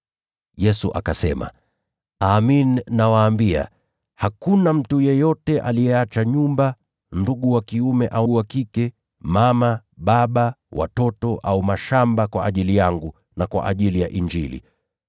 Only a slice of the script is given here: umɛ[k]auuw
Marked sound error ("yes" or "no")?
yes